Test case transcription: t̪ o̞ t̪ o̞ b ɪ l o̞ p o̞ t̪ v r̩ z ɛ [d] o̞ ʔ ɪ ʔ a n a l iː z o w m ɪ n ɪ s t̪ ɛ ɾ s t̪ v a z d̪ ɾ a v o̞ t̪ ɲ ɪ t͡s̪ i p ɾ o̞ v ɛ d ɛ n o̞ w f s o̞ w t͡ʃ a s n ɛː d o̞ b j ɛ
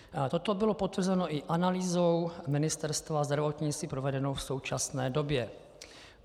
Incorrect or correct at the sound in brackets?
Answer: incorrect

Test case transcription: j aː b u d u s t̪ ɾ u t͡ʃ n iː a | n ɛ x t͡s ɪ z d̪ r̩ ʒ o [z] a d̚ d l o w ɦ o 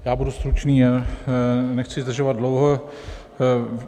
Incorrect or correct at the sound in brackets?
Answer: incorrect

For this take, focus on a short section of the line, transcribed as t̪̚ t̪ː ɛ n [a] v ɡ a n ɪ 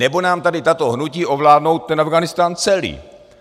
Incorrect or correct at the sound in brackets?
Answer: correct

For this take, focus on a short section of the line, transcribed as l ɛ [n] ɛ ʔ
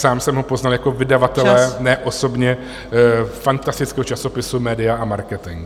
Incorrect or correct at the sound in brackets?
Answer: correct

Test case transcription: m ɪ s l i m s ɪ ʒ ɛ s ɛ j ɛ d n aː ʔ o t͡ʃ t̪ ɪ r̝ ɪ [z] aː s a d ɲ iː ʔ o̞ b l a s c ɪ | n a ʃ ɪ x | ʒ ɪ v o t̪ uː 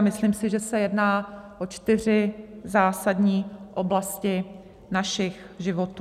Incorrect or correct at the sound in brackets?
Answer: correct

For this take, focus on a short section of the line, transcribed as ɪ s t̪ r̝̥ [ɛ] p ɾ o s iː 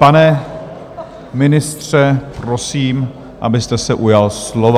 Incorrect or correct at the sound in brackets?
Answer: correct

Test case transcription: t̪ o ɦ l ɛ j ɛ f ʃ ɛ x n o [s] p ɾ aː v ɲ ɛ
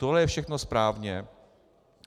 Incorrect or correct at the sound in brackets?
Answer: correct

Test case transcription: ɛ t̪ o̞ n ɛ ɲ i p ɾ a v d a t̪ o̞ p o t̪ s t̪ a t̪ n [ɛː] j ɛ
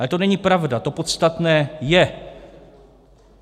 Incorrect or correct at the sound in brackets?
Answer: correct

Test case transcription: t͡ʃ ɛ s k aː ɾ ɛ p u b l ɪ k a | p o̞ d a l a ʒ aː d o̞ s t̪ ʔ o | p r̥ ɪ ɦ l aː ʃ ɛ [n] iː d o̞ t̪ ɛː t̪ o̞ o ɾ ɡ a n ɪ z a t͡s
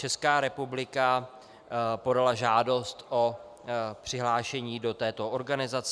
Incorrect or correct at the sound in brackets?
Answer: incorrect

